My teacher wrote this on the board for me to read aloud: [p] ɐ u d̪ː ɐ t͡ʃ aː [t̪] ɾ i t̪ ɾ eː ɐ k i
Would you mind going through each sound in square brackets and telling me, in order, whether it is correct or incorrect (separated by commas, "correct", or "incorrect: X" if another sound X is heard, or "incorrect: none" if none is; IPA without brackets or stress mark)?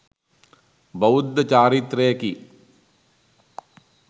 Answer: incorrect: b, incorrect: none